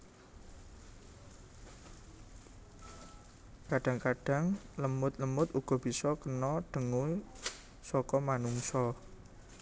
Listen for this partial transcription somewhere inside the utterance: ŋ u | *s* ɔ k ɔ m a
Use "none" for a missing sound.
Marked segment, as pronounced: s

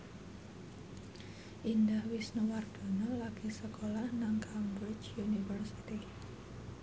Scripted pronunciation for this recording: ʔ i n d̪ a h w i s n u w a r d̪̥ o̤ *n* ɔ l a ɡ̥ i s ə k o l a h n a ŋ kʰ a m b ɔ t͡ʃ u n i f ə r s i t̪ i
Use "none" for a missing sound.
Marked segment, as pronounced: n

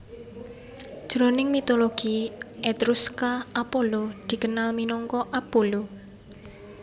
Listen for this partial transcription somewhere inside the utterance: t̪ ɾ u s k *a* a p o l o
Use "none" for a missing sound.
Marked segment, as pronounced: a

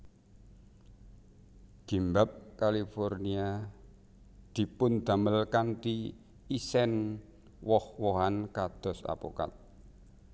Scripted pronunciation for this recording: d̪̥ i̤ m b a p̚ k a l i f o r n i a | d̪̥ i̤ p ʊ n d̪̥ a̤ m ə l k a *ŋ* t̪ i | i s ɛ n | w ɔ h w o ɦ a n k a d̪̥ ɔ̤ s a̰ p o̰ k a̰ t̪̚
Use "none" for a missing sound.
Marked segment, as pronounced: n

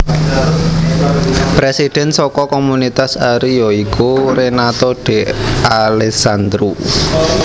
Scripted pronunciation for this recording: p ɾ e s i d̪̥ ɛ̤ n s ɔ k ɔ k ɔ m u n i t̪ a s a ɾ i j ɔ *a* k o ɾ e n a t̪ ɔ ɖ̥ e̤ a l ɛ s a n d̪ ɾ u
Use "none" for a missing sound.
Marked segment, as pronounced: i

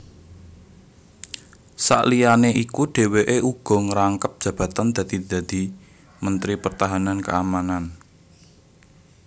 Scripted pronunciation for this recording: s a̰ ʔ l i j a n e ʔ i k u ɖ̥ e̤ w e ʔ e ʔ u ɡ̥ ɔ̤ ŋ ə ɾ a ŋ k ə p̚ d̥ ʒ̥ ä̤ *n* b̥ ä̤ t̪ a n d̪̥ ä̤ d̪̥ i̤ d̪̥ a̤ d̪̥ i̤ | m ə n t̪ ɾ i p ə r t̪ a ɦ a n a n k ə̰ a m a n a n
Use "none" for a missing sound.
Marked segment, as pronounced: none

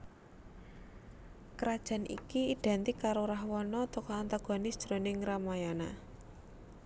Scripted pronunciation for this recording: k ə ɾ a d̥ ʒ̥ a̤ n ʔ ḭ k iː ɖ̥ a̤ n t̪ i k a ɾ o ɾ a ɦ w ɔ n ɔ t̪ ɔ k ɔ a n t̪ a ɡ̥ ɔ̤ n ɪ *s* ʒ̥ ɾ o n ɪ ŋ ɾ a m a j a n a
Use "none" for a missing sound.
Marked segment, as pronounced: s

